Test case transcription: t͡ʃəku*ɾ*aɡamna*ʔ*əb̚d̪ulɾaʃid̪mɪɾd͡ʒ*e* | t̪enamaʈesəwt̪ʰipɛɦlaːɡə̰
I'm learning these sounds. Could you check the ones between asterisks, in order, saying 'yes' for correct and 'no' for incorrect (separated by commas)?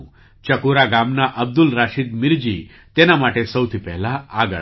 yes, yes, no